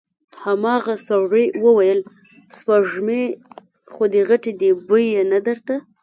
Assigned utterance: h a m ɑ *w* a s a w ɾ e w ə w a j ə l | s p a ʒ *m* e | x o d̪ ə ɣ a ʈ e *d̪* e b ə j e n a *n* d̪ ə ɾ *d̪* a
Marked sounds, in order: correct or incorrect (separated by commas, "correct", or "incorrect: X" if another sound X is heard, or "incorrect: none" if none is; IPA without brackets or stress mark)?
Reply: incorrect: ɣ, correct, correct, incorrect: none, incorrect: t̪